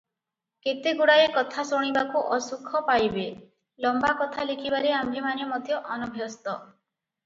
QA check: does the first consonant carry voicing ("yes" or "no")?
no